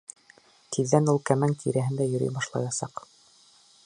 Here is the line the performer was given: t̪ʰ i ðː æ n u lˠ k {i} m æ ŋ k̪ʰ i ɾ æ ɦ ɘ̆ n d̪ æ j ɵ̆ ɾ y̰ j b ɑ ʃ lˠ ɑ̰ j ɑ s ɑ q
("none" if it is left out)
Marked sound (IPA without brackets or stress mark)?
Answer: æ